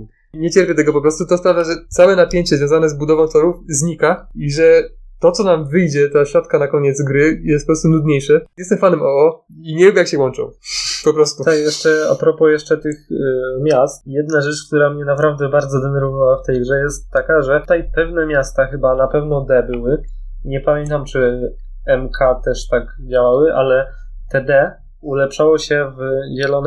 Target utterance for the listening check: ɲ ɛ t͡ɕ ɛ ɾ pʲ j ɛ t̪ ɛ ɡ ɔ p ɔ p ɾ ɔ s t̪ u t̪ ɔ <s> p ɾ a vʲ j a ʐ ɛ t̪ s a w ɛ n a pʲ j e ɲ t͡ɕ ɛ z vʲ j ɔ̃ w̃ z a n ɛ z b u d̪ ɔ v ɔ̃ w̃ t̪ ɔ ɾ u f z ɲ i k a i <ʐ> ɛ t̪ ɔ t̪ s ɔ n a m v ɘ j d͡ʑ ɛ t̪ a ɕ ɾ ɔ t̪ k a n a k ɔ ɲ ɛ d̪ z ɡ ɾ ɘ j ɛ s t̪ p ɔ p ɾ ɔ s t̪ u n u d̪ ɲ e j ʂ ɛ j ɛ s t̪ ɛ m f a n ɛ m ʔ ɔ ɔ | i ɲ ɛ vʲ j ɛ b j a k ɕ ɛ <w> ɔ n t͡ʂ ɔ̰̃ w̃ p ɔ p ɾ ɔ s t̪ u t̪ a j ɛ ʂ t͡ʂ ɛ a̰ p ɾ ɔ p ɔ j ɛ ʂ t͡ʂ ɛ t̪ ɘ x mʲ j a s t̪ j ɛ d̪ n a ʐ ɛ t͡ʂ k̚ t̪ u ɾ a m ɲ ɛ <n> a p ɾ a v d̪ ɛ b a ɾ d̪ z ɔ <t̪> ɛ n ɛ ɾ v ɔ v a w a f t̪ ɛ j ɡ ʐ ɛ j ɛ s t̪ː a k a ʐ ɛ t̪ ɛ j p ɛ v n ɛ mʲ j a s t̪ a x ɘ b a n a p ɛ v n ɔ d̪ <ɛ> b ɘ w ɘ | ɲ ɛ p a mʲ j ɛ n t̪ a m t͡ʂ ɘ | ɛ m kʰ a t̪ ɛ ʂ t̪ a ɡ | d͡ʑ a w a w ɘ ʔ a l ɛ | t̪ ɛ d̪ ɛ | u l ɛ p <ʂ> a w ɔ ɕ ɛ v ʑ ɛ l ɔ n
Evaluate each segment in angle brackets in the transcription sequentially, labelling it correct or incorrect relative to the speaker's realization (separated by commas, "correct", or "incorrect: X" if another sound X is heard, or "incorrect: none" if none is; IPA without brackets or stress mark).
correct, correct, correct, correct, incorrect: d̪, correct, correct